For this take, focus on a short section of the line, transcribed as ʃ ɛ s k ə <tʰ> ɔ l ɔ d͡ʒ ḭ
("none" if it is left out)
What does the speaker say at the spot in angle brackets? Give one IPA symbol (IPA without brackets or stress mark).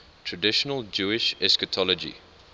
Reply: tʰ